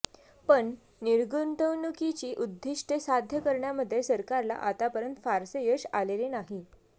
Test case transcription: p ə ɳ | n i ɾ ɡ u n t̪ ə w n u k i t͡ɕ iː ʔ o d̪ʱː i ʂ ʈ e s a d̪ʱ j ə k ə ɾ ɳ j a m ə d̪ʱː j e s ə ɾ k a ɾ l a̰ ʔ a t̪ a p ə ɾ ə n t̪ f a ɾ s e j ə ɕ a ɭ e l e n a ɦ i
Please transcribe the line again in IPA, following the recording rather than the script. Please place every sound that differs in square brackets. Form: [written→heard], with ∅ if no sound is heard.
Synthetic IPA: p ə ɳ | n i ɾ ɡ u n t̪ ə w n u k i t͡ɕ iː ʔ [o→u] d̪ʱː i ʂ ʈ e s a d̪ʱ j ə k ə ɾ ɳ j a m ə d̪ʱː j e s ə ɾ k a ɾ l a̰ ʔ a t̪ a p ə ɾ ə n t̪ f a ɾ s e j ə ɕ a [ɭ→l] e l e n a ɦ i